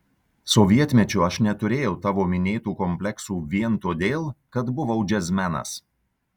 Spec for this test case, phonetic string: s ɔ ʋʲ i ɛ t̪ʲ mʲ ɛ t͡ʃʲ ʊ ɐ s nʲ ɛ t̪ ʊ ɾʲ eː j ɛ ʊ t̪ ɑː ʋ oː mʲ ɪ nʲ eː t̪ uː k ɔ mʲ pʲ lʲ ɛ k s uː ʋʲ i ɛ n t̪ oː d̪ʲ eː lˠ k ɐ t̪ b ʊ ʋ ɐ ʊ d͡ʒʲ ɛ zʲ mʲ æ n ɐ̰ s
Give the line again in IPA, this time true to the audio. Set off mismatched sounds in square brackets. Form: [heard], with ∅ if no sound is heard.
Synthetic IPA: s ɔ ʋʲ i ɛ t̪ʲ mʲ ɛ t͡ʃʲ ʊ ɐ [ʃ] nʲ ɛ t̪ ʊ ɾʲ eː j ɛ ʊ t̪ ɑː ʋ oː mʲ ɪ nʲ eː t̪ uː k ɔ mʲ pʲ lʲ ɛ k s uː ʋʲ i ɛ n t̪ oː d̪ʲ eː lˠ k ɐ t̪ b ʊ ʋ ɐ ʊ d͡ʒʲ ɛ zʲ mʲ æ n ɐ̰ s